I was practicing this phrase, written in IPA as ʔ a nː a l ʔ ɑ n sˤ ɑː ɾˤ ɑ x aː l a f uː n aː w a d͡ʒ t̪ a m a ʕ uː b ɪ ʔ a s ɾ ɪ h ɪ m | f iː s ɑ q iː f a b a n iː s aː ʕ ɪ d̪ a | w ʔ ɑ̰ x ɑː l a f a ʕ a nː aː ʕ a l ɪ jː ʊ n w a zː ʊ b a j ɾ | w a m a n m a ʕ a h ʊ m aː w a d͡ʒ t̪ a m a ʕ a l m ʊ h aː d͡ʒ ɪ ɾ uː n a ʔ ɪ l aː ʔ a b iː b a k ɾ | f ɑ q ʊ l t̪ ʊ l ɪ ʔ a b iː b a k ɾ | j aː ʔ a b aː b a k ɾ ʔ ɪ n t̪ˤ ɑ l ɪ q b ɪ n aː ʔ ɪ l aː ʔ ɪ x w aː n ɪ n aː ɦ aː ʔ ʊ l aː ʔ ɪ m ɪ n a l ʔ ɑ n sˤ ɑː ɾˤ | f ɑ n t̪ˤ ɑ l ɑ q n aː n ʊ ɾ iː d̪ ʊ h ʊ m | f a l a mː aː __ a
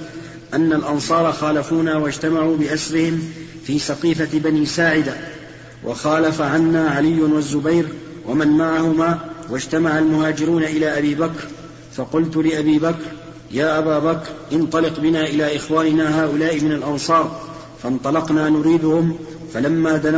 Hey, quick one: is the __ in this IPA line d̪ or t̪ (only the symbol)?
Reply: d̪